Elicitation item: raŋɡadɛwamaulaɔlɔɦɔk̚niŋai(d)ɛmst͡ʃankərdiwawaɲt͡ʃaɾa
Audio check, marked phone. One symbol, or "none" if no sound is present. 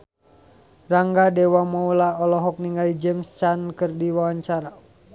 d͡ʒ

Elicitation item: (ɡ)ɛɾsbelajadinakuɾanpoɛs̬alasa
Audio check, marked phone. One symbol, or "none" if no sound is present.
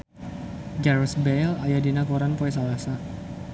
ɡ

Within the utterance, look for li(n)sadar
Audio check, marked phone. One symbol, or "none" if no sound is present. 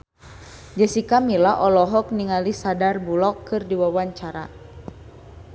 none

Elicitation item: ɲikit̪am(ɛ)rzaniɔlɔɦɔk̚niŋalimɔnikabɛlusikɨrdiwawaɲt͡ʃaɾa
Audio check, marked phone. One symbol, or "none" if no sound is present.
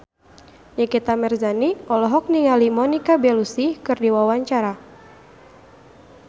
ɛ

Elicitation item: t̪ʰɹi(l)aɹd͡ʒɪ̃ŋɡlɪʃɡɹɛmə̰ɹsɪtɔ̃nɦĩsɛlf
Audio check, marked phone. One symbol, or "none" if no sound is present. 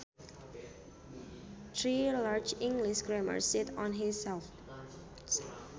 l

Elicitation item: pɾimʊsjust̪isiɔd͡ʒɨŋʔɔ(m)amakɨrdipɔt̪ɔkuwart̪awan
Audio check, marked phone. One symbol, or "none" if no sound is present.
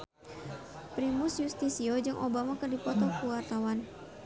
b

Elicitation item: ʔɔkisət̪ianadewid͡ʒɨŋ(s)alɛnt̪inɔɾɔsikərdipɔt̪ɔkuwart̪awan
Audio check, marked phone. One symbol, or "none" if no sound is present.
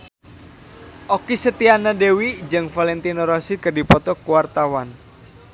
f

